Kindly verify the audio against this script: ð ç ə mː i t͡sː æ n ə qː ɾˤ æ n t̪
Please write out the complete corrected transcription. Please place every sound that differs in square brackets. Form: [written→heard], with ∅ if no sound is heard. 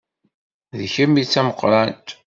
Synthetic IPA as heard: ð ç ə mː i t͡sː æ [n→m] ə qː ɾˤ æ n t̪